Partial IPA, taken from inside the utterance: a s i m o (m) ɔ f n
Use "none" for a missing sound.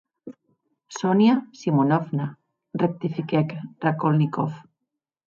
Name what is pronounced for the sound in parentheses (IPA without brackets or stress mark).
n